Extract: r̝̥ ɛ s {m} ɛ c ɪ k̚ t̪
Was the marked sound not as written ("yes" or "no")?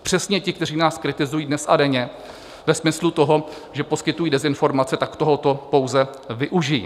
yes